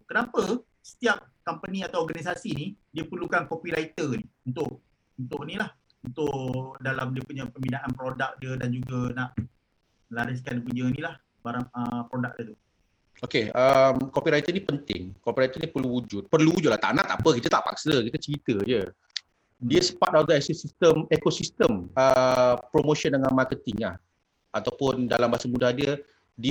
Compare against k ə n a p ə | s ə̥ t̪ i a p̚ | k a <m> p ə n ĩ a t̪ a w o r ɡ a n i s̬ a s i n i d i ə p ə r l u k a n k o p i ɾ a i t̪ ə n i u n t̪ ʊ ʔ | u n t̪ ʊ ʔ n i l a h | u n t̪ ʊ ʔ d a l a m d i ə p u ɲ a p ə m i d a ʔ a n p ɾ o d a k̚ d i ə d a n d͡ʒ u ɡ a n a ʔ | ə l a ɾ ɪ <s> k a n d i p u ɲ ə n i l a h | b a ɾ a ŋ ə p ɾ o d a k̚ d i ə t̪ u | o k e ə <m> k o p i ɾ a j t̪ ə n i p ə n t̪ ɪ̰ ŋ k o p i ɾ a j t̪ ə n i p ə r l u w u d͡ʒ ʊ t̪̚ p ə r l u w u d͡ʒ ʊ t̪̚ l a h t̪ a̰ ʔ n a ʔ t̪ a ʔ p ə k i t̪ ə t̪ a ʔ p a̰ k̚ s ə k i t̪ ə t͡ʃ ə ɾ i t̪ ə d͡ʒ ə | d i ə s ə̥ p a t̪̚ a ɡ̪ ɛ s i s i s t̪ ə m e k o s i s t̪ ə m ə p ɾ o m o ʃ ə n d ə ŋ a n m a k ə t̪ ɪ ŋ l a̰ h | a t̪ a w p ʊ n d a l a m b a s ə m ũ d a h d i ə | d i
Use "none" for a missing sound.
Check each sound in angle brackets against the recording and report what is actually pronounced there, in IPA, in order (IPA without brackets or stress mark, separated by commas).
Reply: m, s, m